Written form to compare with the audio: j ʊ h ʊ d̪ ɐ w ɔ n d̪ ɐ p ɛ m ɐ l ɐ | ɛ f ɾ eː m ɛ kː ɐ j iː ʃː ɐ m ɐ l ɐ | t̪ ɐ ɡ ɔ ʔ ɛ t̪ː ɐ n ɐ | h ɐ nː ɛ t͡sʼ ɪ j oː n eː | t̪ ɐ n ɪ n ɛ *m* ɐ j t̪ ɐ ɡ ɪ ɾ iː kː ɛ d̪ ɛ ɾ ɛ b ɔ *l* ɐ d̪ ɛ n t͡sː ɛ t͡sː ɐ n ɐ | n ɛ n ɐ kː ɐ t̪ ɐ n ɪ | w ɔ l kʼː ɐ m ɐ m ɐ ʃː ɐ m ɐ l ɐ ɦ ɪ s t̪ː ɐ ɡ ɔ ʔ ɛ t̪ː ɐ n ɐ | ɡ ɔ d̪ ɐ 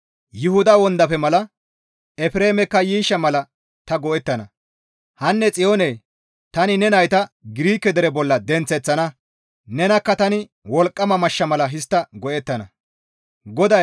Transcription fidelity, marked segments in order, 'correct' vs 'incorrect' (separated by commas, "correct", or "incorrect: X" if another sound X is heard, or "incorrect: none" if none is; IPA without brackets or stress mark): incorrect: n, incorrect: lː